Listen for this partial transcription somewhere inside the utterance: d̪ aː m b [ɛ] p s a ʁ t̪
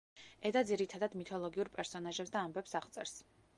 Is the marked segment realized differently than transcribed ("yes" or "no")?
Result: no